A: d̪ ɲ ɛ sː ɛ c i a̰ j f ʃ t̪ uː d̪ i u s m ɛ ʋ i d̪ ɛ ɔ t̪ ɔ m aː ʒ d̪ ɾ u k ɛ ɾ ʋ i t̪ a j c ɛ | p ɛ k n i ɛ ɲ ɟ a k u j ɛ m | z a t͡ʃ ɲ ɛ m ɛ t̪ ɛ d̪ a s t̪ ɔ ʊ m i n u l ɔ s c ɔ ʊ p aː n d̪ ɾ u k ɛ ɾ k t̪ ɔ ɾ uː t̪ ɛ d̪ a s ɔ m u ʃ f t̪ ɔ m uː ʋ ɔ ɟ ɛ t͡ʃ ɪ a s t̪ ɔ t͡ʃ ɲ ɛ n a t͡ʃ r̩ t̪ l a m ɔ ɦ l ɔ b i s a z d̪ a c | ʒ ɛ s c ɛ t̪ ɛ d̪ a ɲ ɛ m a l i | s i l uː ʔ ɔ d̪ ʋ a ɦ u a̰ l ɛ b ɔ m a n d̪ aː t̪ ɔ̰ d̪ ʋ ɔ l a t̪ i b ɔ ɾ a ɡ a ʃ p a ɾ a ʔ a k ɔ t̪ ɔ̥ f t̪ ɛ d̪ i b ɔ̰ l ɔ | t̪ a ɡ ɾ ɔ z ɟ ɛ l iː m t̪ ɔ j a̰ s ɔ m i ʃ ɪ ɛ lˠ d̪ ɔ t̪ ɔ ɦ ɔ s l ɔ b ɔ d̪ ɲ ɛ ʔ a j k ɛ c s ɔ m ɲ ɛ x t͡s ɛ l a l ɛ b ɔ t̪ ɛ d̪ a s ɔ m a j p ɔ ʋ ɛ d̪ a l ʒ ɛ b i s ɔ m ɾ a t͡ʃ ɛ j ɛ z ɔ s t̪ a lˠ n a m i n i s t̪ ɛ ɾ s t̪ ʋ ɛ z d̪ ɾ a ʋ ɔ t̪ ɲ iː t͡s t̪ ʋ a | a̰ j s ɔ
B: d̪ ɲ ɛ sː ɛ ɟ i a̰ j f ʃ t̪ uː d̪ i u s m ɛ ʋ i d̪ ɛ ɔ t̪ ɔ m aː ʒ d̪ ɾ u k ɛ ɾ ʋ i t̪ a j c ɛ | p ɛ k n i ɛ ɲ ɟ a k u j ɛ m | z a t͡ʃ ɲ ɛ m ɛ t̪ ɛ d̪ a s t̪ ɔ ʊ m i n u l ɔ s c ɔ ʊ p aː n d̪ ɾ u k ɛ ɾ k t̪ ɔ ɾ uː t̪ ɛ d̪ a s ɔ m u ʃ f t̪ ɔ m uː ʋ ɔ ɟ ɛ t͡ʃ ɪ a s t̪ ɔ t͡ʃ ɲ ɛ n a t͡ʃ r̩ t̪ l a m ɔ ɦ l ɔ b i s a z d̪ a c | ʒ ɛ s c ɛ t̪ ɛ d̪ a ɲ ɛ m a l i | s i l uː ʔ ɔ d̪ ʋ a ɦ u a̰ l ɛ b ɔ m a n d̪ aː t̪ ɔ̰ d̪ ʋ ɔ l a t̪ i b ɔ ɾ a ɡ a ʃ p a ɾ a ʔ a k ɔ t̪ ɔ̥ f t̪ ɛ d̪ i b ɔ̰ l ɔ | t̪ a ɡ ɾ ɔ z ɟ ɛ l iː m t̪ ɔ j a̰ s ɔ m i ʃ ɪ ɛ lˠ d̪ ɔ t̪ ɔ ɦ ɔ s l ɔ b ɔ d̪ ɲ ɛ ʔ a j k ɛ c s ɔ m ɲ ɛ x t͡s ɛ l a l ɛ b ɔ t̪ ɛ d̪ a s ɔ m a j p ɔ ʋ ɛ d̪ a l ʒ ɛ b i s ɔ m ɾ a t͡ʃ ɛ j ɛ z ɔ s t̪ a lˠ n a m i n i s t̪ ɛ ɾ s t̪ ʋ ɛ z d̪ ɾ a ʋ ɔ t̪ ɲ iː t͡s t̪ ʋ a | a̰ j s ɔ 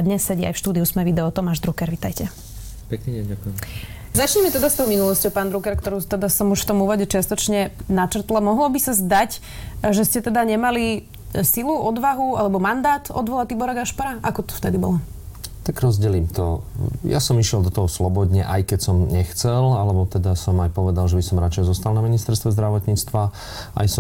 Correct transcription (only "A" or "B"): B